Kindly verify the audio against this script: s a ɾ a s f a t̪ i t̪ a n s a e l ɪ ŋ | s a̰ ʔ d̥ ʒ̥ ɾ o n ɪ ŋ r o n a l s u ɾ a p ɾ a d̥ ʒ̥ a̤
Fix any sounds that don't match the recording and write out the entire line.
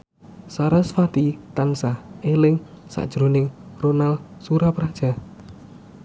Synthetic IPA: s a ɾ a s f a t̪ i t̪ a n s a e l ɪ ŋ | s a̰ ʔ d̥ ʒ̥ ɾ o n ɪ ŋ r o n a l s u ɾ a p ɾ a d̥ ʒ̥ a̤